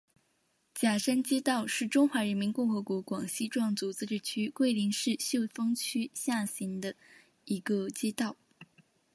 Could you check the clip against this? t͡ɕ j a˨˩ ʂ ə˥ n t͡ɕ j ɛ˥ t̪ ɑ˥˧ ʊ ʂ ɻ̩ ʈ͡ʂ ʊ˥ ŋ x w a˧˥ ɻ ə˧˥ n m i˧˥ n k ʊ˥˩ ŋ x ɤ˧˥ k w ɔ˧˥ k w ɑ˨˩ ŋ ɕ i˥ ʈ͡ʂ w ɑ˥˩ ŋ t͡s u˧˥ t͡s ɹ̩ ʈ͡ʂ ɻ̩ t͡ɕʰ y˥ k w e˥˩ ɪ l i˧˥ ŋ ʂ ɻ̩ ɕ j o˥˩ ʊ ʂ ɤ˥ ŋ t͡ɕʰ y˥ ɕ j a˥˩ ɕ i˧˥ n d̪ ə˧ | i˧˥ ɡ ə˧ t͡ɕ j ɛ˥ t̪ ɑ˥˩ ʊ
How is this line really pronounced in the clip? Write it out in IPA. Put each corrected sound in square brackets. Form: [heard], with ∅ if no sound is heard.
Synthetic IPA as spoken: t͡ɕ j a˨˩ ʂ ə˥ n t͡ɕ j ɛ˥ t̪ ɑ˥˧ ʊ ʂ ɻ̩ ʈ͡ʂ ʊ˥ ŋ x w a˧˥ ɻ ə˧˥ n m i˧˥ n k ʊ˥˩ ŋ x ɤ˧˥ k w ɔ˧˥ k w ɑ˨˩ ŋ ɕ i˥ ʈ͡ʂ w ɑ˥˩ ŋ t͡s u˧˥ t͡s ɹ̩ ʈ͡ʂ ɻ̩ t͡ɕʰ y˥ k w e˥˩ ɪ l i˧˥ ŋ ʂ ɻ̩ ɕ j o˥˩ ʊ [f] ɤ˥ ŋ t͡ɕʰ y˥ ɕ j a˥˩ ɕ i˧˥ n d̪ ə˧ | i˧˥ ɡ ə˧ t͡ɕ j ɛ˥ t̪ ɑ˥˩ ʊ